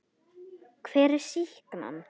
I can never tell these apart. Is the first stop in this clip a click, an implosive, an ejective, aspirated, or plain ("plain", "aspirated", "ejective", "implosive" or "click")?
aspirated